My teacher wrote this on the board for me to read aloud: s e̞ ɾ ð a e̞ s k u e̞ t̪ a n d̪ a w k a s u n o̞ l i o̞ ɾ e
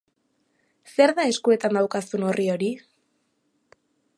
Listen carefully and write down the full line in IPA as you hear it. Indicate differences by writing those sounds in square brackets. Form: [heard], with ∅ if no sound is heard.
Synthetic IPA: s e̞ ɾ ð a e̞ s k u e̞ t̪ a n d̪ a w k a s u n o̞ [r] i o̞ ɾ [i]